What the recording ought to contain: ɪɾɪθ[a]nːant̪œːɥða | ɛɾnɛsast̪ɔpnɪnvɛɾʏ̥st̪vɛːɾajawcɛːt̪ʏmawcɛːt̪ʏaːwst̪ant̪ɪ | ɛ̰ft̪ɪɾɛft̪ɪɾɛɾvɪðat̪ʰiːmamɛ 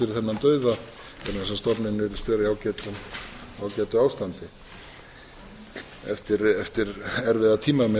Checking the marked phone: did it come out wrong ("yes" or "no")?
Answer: yes